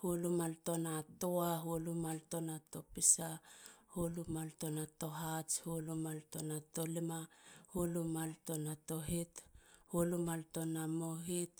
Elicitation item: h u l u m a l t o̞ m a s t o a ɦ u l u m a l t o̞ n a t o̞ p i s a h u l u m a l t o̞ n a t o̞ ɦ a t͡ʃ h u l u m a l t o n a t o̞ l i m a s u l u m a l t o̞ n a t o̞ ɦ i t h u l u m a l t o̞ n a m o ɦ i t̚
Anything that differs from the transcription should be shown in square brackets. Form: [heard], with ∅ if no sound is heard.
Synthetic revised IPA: h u l u m a l t o̞ [n] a [∅] t o a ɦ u l u m a l t o̞ n a t o̞ p i s a h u l u m a l t o̞ n a t o̞ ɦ a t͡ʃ h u l u m a l t o n a t o̞ l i m a [h] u l u m a l t o̞ n a t o̞ ɦ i t h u l u m a l t o̞ n a m o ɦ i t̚